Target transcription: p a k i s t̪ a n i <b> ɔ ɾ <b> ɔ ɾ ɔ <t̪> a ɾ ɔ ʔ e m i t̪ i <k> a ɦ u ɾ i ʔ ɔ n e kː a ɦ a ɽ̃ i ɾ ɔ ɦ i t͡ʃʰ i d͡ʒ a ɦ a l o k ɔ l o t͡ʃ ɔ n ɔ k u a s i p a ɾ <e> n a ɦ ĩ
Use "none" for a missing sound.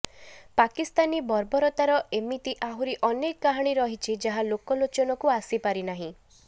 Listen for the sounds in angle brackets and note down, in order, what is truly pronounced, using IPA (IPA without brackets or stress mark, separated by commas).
b, b, t̪, ʔ, i